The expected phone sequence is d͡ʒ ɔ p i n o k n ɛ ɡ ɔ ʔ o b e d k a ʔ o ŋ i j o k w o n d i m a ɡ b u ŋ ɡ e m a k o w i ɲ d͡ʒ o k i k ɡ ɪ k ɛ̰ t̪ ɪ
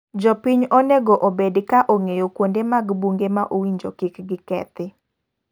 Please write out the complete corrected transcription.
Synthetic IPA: d͡ʒ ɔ p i ɲ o n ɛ ɡ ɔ ʔ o b e d k a ʔ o ŋ e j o k w o n d e m a ɡ b u ŋ ɡ e m a ʔ o w i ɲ d͡ʒ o k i k ɡ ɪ k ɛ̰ t̪ ɪ